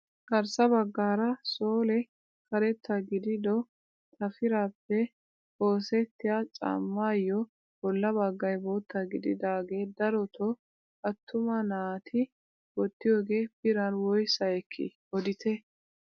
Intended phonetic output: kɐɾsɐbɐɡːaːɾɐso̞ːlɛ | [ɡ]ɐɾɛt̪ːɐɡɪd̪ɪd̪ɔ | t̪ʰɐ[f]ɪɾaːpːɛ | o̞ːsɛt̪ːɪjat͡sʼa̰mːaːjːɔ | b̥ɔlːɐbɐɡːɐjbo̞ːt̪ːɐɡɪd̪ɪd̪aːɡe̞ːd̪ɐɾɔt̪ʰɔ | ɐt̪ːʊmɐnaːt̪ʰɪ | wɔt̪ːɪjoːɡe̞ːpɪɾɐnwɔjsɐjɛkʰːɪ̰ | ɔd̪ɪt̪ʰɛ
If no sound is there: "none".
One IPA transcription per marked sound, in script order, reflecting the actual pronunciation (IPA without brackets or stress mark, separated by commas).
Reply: k, f